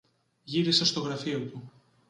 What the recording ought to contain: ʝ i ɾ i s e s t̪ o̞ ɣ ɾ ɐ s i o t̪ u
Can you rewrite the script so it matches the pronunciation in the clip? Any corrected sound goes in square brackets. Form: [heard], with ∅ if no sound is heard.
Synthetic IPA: ʝ i ɾ i s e s t̪ o̞ ɣ ɾ ɐ [f] i o t̪ u